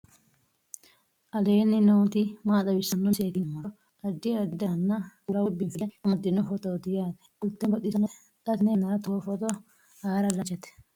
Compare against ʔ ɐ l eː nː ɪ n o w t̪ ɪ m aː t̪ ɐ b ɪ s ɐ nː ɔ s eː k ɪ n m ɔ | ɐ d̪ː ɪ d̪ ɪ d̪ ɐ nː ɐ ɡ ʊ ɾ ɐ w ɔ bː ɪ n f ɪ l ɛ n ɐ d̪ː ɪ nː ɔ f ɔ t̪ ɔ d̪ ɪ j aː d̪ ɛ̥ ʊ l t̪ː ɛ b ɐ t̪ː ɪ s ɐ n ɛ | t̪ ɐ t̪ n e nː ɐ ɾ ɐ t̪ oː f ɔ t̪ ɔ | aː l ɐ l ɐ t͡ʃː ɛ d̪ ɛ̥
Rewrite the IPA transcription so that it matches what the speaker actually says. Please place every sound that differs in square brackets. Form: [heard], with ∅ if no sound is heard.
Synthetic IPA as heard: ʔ ɐ l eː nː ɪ n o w t̪ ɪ m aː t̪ ɐ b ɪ s ɐ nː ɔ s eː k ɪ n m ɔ | ɐ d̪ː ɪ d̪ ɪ d̪ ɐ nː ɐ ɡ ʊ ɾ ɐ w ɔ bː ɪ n f ɪ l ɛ [m] ɐ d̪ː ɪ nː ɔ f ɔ t̪ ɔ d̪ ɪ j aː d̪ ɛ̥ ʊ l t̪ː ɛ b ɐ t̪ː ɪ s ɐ n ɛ | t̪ ɐ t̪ n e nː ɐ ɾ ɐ t̪ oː f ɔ t̪ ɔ | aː [ɾ] ɐ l ɐ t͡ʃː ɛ [t̪] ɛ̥